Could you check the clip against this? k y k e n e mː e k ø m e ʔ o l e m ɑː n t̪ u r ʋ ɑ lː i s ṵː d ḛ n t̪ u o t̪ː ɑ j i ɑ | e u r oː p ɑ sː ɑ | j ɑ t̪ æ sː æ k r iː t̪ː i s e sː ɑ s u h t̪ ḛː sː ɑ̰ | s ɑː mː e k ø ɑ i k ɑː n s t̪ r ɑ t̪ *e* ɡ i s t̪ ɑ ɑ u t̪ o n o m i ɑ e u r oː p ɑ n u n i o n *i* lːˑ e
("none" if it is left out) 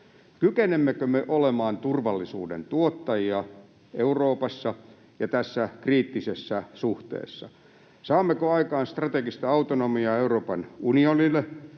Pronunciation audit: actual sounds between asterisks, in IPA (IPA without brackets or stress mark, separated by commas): e, i